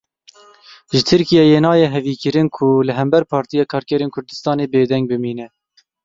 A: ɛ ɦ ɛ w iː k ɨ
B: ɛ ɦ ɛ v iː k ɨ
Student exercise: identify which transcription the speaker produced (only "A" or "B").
B